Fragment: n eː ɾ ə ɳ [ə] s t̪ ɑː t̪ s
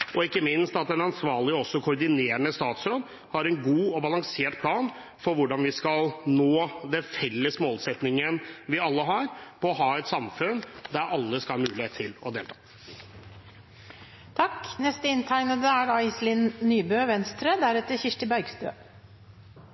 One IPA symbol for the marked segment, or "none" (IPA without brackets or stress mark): ə